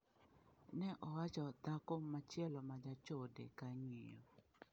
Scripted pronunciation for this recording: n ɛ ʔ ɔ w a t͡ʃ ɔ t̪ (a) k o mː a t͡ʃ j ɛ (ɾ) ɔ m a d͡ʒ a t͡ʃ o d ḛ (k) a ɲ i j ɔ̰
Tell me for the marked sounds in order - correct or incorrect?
correct, incorrect: l, correct

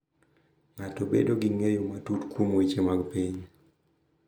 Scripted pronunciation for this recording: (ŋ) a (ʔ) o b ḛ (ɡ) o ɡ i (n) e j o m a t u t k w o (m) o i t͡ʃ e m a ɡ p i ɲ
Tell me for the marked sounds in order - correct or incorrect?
correct, incorrect: t, incorrect: d, incorrect: ŋ, correct

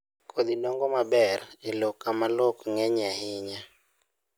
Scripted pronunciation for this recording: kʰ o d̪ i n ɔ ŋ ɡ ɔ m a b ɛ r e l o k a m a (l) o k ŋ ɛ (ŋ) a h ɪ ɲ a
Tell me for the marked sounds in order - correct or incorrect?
correct, incorrect: ɲ

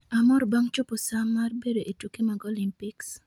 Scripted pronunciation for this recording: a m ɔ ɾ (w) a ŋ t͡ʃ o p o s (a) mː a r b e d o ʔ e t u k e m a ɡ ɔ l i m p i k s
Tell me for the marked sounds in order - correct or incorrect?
incorrect: b, correct

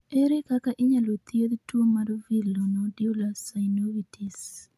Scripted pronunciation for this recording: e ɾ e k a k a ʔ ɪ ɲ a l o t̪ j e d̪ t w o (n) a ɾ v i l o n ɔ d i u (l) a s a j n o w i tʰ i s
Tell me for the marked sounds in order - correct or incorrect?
incorrect: m, correct

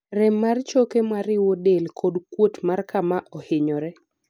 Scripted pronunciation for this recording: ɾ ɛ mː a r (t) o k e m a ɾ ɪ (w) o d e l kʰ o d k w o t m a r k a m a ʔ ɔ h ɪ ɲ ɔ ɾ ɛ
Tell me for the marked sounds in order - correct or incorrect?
incorrect: t͡ʃ, correct

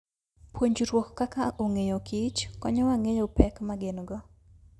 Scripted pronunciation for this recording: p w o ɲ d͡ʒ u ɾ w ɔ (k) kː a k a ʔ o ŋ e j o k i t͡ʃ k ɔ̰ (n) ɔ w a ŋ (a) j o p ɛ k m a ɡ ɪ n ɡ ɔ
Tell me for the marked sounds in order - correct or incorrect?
correct, incorrect: ɲ, incorrect: e

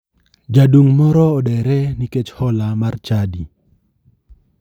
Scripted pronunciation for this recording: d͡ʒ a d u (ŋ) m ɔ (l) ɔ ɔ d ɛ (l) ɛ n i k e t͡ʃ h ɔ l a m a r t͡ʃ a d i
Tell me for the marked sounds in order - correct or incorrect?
correct, incorrect: ɾ, incorrect: ɾ

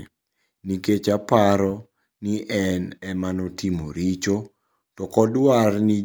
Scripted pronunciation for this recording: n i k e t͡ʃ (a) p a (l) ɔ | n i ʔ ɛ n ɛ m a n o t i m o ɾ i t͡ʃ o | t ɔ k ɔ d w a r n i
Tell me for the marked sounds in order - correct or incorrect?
correct, incorrect: ɾ

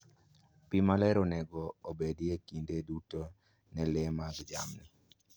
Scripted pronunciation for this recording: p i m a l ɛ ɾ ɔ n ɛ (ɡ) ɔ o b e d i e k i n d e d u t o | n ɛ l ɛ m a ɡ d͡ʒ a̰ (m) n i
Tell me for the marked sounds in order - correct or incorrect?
correct, correct

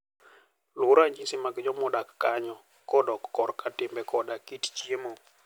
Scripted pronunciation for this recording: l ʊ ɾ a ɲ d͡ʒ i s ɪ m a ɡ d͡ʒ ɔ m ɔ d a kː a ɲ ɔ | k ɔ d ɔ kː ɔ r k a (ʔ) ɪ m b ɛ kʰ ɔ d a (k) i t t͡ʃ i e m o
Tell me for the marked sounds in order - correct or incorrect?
incorrect: t, correct

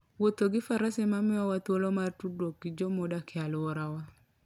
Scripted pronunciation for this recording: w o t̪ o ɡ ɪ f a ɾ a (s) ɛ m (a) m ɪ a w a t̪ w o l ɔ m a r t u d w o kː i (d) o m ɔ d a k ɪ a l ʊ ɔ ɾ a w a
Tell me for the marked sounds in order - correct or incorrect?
correct, correct, incorrect: d͡ʒ

